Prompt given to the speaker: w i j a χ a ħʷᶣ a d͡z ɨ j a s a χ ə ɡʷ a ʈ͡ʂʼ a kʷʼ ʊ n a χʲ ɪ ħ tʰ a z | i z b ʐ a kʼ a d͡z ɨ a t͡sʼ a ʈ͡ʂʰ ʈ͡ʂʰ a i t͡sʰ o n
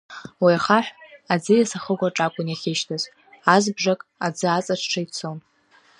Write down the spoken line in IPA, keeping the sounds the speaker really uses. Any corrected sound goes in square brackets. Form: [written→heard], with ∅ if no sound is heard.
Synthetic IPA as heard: w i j a χ a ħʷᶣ a d͡z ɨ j a s a χ ə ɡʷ a ʈ͡ʂʼ a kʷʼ ʊ n a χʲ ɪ [ħ→ʃ] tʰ a z | [i→a] z b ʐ a kʼ a d͡z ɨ a t͡sʼ a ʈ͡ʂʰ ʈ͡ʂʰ a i t͡sʰ o n